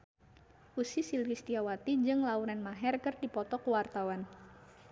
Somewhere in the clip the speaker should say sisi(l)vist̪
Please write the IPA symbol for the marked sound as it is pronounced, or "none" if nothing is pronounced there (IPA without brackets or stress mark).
l